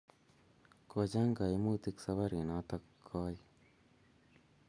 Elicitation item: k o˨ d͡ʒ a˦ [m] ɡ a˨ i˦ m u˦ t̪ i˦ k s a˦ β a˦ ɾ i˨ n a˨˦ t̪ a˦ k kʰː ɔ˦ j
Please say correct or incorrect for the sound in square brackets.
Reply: incorrect: ŋ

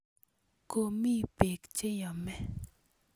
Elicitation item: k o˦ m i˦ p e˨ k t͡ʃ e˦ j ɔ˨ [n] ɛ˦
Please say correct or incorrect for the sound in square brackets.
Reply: incorrect: m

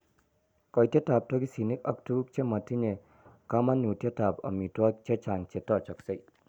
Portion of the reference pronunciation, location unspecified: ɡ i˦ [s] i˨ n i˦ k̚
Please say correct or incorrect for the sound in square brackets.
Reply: correct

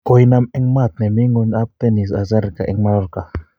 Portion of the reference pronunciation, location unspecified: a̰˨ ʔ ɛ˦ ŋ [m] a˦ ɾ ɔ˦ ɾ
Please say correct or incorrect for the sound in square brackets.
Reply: correct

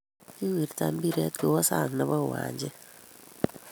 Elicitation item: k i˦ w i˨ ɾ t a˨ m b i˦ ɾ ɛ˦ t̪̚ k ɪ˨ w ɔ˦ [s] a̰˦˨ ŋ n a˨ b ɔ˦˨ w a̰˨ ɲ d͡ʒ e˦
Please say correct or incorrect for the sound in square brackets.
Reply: correct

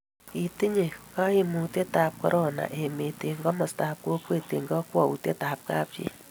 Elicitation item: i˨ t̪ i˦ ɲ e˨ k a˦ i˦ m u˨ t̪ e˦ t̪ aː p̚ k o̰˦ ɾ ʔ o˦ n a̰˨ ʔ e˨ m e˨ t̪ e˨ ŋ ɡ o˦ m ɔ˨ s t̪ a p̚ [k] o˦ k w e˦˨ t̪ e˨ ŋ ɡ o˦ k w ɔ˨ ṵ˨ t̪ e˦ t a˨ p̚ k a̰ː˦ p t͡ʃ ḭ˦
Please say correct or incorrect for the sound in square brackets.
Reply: correct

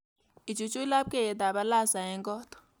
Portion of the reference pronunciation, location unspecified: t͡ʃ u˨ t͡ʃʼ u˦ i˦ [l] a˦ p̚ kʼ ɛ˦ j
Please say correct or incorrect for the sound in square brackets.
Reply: correct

